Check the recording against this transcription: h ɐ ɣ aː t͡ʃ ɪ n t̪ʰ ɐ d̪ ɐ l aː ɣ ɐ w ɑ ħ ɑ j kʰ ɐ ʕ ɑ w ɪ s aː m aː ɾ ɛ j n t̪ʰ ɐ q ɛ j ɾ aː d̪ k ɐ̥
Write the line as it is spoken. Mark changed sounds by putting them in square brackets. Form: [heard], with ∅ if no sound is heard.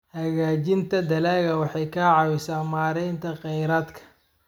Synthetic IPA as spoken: h ɐ ɣ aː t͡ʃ ɪ n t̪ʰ ɐ d̪ ɐ l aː ɣ ɐ w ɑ ħ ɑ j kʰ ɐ ʕ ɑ w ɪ s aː m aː ɾ ɛ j n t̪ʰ ɐ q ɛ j ɾ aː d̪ [kʰ] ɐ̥